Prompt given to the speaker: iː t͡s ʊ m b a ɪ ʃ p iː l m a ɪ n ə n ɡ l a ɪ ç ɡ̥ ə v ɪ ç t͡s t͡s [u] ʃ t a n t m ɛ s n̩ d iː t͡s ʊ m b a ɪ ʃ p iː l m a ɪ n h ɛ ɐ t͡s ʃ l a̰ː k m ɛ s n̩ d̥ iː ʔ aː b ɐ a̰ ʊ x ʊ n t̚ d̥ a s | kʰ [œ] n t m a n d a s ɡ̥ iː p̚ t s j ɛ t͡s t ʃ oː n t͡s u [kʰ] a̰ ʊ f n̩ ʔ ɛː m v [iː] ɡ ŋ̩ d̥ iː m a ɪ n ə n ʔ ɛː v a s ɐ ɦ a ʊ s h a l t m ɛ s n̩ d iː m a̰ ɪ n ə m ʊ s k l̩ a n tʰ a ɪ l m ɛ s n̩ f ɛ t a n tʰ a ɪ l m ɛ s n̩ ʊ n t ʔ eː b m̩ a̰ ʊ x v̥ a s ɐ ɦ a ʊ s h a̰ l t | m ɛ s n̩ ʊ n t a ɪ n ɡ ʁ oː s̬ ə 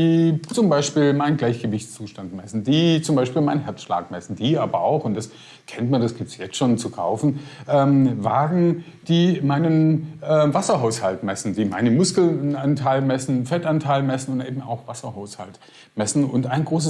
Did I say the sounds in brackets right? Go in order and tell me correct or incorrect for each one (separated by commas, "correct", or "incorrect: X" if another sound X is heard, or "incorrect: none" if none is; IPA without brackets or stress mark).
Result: incorrect: uː, incorrect: ɛ, correct, incorrect: aː